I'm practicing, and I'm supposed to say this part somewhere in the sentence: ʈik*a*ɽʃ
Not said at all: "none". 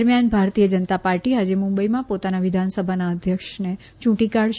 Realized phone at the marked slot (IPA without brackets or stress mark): a